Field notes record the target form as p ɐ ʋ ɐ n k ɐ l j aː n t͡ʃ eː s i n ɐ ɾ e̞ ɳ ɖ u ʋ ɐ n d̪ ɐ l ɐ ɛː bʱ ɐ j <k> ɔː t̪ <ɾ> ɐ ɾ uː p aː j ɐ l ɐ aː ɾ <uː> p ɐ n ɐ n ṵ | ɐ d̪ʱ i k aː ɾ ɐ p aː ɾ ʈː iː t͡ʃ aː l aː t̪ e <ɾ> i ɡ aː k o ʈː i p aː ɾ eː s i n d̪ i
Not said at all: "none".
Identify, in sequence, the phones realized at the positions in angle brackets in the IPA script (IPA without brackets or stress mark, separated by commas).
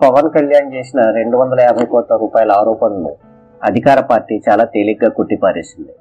k, l, ɔː, l